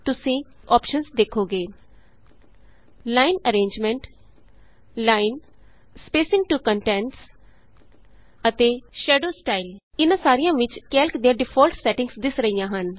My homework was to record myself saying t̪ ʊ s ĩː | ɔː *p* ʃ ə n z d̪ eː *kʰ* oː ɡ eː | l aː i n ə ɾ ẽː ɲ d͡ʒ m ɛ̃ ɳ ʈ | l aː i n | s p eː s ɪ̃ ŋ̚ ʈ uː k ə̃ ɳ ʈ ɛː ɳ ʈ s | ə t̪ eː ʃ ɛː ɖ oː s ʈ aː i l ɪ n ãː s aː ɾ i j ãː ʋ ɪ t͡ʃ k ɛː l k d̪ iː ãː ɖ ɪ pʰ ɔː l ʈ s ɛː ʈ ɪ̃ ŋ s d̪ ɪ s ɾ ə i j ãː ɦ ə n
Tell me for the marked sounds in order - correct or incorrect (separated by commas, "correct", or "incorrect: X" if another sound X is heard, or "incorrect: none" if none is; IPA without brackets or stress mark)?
correct, correct